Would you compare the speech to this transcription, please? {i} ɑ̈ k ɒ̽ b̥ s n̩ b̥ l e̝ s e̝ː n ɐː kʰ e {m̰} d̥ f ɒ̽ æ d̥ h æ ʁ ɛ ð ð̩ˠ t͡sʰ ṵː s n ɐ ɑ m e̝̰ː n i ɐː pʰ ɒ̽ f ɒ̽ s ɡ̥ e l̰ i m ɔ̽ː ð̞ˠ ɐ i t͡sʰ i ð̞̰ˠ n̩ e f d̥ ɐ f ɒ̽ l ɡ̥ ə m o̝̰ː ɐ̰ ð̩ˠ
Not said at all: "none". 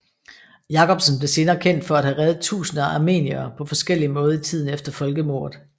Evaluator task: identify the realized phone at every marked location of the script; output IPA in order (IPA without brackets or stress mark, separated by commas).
j, n̰